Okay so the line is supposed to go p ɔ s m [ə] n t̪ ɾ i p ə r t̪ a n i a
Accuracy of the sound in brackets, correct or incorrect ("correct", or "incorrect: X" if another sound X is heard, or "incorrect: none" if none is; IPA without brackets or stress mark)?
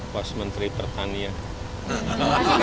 correct